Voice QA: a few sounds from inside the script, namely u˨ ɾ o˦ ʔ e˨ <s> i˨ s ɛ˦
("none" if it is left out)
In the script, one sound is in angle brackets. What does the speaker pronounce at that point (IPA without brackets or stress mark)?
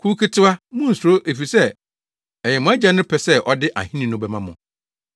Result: f